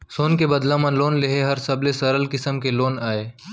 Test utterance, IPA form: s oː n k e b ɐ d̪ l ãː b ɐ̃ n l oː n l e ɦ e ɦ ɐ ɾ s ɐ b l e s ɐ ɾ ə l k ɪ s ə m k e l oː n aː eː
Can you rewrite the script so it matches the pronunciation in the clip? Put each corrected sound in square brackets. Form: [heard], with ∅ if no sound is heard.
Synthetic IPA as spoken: s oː n k e b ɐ d̪ l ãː [m] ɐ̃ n l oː n l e ɦ e ɦ ɐ ɾ s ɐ b l e s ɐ ɾ ə l k ɪ s ə m k e l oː n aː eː